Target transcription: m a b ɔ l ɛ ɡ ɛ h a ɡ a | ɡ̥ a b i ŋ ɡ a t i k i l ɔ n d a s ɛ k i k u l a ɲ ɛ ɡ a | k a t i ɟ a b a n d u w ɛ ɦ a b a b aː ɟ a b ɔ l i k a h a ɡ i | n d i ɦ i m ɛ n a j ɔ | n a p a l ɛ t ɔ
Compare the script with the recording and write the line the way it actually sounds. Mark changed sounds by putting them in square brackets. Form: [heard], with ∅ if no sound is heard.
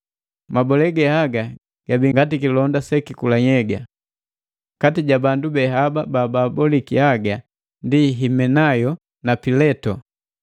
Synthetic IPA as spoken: m a b ɔ l ɛ ɡ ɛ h a ɡ a | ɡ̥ a b i ŋ ɡ a t i k i l ɔ n d a s ɛ k i k u l a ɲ ɛ ɡ a | k a t i ɟ a b a n d u [b] ɛ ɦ a b a b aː [b] a b ɔ l i k [i] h a ɡ [a] | n d i ɦ i m ɛ n a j ɔ | n a p [i] l ɛ t ɔ